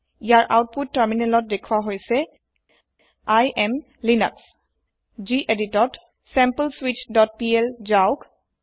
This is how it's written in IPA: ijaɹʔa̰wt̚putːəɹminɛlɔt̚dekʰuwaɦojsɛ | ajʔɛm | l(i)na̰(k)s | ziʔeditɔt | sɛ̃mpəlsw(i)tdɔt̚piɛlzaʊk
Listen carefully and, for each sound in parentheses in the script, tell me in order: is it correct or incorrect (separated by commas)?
correct, correct, correct